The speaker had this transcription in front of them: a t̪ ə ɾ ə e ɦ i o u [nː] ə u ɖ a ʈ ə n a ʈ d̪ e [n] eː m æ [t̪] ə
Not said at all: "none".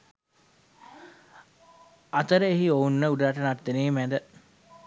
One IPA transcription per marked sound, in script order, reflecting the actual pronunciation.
nː, n, d̪

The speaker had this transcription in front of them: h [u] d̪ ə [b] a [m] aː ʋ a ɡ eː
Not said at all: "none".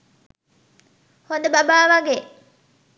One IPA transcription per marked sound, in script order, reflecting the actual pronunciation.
o, b, b

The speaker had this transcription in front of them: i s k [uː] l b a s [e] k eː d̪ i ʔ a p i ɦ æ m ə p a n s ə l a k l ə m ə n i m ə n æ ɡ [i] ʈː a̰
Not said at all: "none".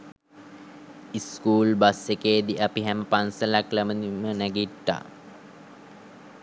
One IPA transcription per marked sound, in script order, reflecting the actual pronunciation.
uː, e, i

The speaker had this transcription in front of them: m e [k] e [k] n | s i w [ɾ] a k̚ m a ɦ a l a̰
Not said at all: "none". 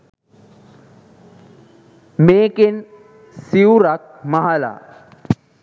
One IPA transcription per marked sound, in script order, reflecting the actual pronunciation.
k, none, ɾ

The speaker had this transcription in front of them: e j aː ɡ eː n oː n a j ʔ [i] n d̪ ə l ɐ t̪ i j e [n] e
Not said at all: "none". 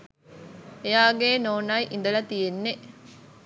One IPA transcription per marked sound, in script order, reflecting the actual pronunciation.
i, nː

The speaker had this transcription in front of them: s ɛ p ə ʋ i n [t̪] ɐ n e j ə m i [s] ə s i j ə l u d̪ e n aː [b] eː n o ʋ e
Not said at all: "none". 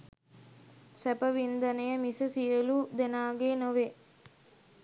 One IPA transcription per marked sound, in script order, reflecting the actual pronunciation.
d̪, s, ɡ

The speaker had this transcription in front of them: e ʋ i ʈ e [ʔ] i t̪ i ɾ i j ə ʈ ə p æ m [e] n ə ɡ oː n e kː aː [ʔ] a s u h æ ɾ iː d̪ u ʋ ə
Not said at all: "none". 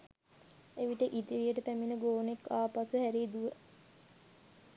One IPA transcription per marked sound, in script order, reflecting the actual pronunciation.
ʔ, i, p

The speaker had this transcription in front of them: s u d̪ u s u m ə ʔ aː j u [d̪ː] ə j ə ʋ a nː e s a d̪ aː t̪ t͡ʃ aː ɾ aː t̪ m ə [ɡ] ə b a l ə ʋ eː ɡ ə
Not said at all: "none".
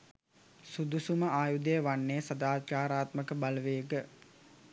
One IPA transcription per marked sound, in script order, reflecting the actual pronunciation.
d̪, k

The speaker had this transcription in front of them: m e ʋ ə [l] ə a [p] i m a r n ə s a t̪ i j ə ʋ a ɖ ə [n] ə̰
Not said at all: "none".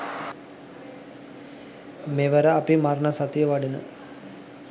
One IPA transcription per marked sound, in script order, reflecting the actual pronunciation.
ɾ, p, n

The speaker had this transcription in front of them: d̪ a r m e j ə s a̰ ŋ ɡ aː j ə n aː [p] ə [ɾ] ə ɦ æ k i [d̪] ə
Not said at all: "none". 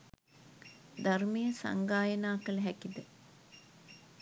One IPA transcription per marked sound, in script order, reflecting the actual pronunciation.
k, l, d̪

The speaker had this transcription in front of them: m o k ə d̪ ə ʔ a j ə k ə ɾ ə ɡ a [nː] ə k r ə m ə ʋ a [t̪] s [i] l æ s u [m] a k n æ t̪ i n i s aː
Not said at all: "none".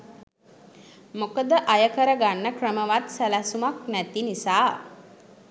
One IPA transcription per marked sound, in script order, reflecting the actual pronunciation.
nː, t̪, æ, m

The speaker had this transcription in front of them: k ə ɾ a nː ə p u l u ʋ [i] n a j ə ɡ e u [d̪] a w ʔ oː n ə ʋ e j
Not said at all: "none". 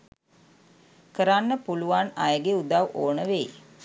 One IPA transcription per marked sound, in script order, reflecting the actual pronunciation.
a, d̪

